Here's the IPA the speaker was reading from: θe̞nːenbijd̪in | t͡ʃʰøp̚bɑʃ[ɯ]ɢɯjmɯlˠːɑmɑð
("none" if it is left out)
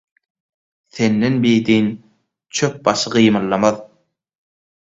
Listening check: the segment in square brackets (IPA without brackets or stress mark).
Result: ɯ